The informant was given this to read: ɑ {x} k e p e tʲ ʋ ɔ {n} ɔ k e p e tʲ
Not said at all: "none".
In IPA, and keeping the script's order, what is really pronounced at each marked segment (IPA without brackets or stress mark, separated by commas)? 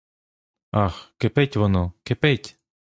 x, n